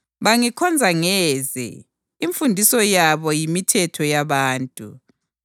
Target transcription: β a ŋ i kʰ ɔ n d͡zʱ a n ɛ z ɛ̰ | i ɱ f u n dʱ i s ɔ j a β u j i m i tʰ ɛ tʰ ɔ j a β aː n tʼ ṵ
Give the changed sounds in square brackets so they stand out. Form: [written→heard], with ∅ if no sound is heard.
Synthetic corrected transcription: β a ŋ i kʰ ɔ n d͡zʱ a [n→ŋ] ɛ z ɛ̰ | i ɱ f u n dʱ i s ɔ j a β [u→ɔ] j i m i tʰ ɛ tʰ ɔ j a β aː n tʼ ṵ